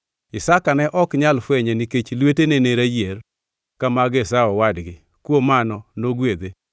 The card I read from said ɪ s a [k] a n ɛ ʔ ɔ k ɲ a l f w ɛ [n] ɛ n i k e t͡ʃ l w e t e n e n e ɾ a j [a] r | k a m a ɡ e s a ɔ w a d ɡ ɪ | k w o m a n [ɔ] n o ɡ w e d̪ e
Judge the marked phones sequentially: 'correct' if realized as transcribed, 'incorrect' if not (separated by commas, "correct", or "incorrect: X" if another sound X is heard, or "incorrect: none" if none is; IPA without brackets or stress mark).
correct, incorrect: ɲ, incorrect: e, correct